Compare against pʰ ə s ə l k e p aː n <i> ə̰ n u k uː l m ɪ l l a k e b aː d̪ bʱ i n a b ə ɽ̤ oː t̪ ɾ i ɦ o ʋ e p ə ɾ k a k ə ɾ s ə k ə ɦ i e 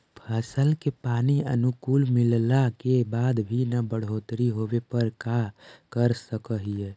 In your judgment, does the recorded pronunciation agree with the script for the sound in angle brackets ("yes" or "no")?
yes